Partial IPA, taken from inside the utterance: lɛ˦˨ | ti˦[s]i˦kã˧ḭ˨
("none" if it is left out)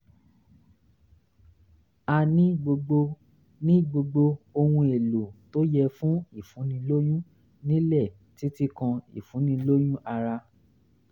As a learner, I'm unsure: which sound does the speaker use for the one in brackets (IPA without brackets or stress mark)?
t